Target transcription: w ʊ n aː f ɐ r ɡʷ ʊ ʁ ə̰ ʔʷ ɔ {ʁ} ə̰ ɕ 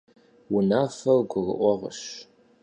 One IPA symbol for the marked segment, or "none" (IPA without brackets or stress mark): ʁ